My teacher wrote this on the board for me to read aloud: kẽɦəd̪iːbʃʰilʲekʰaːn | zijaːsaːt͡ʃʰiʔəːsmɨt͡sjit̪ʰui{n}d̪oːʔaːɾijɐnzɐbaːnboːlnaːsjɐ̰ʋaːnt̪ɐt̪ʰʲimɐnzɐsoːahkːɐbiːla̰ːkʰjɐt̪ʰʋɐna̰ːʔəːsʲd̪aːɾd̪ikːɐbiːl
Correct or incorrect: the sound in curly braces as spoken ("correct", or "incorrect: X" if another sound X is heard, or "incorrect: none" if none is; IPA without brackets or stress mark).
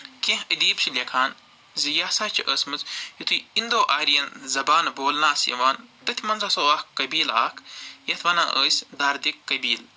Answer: correct